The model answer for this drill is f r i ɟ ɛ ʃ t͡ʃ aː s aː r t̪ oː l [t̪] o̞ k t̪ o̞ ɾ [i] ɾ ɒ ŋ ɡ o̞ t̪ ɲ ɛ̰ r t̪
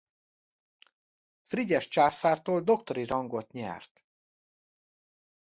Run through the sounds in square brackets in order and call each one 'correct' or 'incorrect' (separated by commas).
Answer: incorrect, correct